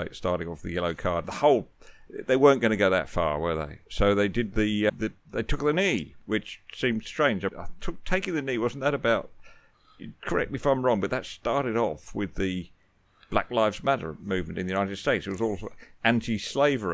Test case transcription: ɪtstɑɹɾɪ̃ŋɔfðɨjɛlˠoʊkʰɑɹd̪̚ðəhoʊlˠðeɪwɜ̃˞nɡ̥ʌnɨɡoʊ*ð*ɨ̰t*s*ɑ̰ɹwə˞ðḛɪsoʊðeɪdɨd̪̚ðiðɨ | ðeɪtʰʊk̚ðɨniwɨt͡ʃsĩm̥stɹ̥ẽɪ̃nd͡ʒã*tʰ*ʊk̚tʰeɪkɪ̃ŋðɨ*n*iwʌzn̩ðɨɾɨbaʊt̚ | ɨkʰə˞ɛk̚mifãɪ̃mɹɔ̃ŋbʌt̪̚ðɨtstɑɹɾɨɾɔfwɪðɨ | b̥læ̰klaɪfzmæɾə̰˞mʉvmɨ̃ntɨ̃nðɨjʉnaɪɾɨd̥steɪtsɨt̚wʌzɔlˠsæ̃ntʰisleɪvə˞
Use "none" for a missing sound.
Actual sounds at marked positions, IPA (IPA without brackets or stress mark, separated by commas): ð, f, tʰ, n